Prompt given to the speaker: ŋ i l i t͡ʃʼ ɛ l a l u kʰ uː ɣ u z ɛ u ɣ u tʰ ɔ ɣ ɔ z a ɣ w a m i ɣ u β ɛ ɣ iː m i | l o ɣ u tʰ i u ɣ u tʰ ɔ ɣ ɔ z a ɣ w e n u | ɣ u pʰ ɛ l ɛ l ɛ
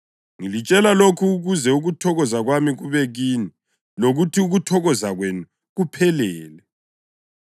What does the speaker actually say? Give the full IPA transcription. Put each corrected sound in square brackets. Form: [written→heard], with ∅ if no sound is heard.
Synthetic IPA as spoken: ŋ i l i t͡ʃʼ ɛ l a l [u→o] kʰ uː ɣ u z ɛ u ɣ u tʰ ɔ ɣ ɔ z a ɣ w a m i ɣ u β ɛ ɣ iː [m→n] i | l o ɣ u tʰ i u ɣ u tʰ ɔ ɣ ɔ z a ɣ w e n u | ɣ u pʰ ɛ l [ɛ→ɛː] l ɛ